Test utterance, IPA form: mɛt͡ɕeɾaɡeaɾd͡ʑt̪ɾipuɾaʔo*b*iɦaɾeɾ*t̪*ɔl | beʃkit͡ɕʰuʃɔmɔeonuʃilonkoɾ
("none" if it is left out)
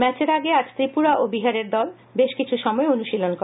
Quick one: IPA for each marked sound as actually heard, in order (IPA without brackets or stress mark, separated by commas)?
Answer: b, d̪